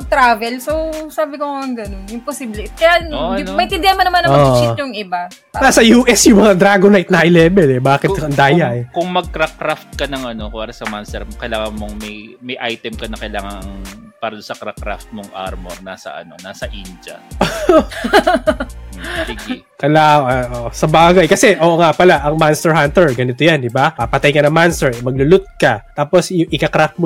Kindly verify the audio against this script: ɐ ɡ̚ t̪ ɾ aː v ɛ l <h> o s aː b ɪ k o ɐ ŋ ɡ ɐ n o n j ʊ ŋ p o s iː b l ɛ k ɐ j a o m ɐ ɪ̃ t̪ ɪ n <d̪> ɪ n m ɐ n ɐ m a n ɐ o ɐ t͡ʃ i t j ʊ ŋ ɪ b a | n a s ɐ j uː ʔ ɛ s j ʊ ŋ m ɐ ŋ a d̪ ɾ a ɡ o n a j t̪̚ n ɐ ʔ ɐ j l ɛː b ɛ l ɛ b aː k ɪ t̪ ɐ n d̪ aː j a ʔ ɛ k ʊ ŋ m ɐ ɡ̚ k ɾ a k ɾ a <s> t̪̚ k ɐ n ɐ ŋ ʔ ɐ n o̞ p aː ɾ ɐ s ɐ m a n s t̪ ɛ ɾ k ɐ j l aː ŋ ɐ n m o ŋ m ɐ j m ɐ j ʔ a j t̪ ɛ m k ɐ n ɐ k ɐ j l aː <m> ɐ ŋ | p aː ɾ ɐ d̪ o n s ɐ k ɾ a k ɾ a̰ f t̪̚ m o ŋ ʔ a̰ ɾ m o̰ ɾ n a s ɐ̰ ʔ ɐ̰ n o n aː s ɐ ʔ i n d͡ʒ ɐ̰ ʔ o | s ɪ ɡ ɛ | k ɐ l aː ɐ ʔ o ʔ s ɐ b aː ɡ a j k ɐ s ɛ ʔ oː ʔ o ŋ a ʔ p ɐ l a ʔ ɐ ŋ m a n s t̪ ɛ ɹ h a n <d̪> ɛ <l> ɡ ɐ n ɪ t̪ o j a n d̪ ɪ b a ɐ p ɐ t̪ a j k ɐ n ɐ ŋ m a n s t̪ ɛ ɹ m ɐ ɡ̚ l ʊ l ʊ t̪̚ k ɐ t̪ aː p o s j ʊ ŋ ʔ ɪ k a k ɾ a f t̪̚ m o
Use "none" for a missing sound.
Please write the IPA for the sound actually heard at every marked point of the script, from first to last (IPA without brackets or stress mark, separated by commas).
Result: s, d̪, f, ŋ, t̪, ɹ